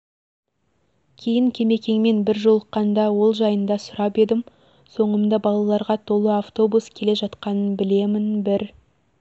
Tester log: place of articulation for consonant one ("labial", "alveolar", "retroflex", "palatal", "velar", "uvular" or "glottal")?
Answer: velar